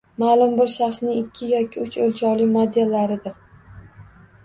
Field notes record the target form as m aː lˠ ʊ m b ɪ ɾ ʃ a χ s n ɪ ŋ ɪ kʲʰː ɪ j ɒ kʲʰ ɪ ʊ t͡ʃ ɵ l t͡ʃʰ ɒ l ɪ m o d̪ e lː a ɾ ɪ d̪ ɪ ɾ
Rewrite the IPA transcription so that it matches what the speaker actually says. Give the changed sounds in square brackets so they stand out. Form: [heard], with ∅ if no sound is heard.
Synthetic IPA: m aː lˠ ʊ m b ɪ ɾ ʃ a χ s n ɪ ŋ ɪ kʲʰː ɪ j ɒ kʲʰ ɪ ʊ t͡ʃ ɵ l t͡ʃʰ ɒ l ɪ m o d̪ e lː a ɾ ɪ d̪ ɪ ɾ

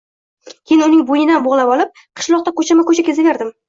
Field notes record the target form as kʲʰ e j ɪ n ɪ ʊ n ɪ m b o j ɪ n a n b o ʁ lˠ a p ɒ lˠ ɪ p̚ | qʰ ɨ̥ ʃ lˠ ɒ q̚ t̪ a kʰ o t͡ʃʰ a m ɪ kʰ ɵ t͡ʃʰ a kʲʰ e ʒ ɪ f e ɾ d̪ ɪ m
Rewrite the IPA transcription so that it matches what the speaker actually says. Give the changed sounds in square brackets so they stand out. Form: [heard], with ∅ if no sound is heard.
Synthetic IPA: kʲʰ e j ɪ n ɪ ʊ n ɪ [ŋ] b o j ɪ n a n b o ʁ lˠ a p ɒ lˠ ɪ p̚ | qʰ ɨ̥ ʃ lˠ ɒ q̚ t̪ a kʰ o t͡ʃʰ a m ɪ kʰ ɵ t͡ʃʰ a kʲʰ e [z] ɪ [v] e ɾ d̪ ɪ m

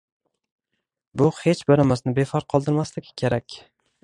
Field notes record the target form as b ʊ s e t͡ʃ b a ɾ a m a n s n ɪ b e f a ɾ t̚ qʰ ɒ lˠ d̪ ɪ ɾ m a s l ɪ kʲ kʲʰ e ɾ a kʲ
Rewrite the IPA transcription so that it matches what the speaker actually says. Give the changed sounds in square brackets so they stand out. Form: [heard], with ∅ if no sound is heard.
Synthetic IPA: b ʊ [h] e t͡ʃ b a ɾ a m a [∅] s n ɪ b e f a ɾ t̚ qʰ ɒ lˠ d̪ ɪ ɾ m a s l ɪ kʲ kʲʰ e ɾ a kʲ

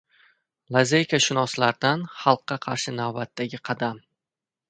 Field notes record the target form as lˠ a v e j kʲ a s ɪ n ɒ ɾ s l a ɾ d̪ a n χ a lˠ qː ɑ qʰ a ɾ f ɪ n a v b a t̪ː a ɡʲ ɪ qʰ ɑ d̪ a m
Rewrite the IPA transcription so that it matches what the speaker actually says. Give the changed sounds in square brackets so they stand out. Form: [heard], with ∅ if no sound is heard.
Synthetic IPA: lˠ a [z] e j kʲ a [ʃ] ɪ n ɒ [∅] s l a ɾ d̪ a n χ [ɑ] lˠ qː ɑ qʰ [ɑ] ɾ [ʃ] ɪ n a v b a t̪ː a ɡʲ ɪ qʰ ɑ d̪ a m

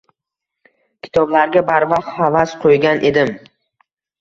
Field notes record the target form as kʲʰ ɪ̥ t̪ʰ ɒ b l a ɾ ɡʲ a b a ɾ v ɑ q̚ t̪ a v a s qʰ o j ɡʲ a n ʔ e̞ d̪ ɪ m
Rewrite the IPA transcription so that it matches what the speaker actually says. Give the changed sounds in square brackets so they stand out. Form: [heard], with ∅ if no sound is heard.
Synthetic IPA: kʲʰ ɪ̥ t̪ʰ ɒ b l a ɾ ɡʲ a b a ɾ v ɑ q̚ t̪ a v a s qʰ o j ɡʲ a n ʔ e̞ d̪ ɪ m

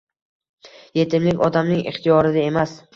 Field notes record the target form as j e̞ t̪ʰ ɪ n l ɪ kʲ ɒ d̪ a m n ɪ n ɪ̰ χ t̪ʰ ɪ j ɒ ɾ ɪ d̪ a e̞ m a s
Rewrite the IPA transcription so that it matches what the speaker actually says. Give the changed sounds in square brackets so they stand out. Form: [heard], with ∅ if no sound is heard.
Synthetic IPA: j e̞ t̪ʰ ɪ [m] l ɪ kʲ ɒ d̪ a m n ɪ [ŋ] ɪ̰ χ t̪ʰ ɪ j ɒ ɾ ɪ d̪ a e̞ m a s

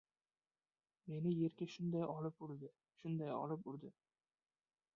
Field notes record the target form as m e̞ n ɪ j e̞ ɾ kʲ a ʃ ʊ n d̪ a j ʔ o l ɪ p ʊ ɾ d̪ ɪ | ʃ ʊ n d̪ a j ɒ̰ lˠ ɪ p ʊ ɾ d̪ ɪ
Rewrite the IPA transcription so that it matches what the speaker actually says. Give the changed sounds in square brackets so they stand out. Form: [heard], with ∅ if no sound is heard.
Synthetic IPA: m e̞ n ɪ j e̞ ɾ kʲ a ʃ ʊ n d̪ a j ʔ [ɒ] l ɪ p ʊ ɾ d̪ ɪ | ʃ ʊ n d̪ a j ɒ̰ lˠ ɪ p ʊ ɾ d̪ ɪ

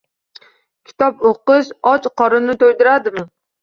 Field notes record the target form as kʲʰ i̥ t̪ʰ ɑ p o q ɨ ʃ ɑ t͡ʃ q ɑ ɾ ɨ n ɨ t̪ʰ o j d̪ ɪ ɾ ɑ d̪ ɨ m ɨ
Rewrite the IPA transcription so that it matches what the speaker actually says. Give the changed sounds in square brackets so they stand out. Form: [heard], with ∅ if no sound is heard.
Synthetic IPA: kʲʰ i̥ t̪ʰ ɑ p o q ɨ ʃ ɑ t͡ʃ q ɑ ɾ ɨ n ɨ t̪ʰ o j d̪ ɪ ɾ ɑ d̪ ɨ m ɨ

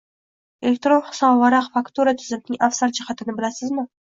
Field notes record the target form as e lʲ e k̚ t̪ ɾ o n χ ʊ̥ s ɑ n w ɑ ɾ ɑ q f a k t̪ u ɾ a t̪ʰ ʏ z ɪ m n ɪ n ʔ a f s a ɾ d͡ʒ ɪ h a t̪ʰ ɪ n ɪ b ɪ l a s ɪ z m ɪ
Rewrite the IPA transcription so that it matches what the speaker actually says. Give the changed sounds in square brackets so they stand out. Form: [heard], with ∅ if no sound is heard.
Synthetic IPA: e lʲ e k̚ t̪ ɾ o n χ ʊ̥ s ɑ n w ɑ ɾ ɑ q f a k t̪ u ɾ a t̪ʰ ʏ z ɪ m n ɪ [ŋ] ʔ a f s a ɾ d͡ʒ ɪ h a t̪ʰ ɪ n ɪ b ɪ l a s ɪ z m ɪ

